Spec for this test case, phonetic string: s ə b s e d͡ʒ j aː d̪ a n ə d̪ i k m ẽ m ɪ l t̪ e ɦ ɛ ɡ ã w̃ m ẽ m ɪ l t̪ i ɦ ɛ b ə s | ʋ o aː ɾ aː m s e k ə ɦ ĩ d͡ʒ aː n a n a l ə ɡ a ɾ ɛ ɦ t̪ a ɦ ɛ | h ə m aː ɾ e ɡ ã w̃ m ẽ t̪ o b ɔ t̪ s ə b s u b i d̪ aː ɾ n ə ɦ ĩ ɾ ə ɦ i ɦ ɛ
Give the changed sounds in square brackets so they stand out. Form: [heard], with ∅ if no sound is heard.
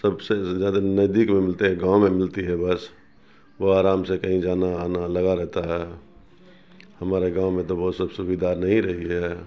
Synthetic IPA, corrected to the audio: s ə b s e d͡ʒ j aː d̪ a n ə d̪ i k m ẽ m ɪ l t̪ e ɦ ɛ ɡ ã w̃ m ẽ m ɪ l t̪ i ɦ ɛ b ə s | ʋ o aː ɾ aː m s e k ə ɦ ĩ d͡ʒ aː n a n a l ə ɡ a ɾ ɛ ɦ t̪ a ɦ ɛ | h ə m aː ɾ e ɡ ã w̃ m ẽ t̪ o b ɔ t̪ s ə b s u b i d̪ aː ɾ n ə ɦ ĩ ɾ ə ɦ i ɦ ɛ